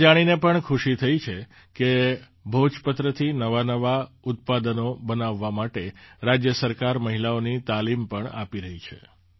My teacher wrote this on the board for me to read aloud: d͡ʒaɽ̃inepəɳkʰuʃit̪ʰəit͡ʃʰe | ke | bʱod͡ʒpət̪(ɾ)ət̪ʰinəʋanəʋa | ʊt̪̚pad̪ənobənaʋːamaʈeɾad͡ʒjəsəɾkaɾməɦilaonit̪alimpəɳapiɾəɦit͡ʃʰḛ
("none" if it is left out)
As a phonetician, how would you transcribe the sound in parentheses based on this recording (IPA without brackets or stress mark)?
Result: ɾ